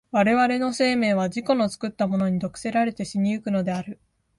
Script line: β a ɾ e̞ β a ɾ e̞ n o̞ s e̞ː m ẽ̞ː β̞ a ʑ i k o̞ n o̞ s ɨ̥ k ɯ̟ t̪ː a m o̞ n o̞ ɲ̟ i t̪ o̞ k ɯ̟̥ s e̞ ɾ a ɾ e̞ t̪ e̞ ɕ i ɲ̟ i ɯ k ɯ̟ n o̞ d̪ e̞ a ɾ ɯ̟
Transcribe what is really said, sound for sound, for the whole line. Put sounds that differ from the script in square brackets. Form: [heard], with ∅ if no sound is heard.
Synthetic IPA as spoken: β a ɾ e̞ β a ɾ e̞ n o̞ s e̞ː m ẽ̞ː β̞ a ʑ i k o̞ n o̞ [t͡s] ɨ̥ k ɯ̟ t̪ː a m o̞ n o̞ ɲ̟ i [d̪] o̞ k ɯ̟̥ s e̞ ɾ a ɾ e̞ t̪ e̞ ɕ i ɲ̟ i ɯ k ɯ̟ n o̞ d̪ e̞ a ɾ ɯ̟